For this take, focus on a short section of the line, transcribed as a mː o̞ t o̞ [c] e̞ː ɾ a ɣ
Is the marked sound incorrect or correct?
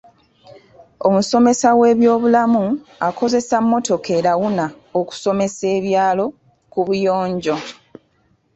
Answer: incorrect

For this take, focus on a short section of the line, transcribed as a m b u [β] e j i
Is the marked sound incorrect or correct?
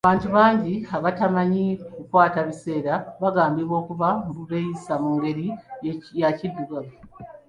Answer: correct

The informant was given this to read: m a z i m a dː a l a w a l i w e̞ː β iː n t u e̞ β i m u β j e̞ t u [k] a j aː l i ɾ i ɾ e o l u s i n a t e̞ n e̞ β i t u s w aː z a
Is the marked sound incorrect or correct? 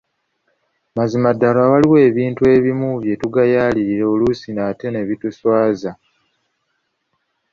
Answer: incorrect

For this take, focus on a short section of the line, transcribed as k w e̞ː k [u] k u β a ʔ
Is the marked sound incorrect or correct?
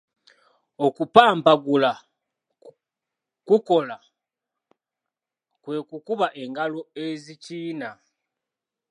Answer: correct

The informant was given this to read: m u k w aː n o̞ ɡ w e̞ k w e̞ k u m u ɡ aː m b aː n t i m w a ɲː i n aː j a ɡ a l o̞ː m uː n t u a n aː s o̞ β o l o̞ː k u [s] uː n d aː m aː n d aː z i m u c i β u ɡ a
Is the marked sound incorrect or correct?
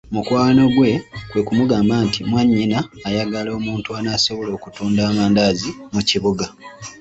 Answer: incorrect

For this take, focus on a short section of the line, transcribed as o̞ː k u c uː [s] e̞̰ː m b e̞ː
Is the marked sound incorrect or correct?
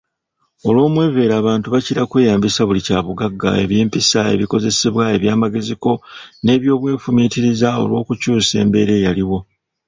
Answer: correct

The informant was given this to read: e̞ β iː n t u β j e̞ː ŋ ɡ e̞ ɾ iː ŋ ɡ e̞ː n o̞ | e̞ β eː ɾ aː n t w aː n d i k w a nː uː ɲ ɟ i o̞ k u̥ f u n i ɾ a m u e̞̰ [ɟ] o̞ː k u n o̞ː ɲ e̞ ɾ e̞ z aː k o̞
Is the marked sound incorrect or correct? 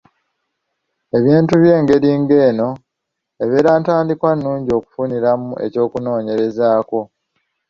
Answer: incorrect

